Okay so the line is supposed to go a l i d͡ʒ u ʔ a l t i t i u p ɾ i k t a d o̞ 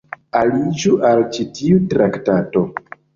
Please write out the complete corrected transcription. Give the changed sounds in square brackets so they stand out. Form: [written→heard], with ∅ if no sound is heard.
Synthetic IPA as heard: a l i d͡ʒ u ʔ a l [t→t͡ʃ] i t i u [p→t] ɾ [i→a] k t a [d→t] o̞